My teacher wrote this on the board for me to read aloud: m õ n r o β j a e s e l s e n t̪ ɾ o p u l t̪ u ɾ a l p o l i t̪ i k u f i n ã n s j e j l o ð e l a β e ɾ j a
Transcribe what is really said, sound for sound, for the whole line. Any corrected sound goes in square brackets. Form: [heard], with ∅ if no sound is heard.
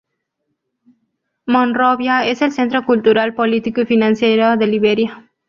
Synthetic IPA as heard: m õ n r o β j a e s e l s e n t̪ ɾ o [k] u l t̪ u ɾ a l p o l i t̪ i k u f i n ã n s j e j [ɾ] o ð e l [i] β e ɾ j a